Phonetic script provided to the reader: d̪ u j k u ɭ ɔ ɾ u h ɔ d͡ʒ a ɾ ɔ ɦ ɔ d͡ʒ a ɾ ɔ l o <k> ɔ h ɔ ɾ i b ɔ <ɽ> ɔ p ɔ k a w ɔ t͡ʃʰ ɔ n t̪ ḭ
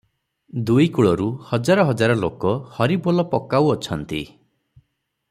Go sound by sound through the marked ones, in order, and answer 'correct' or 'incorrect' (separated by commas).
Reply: correct, incorrect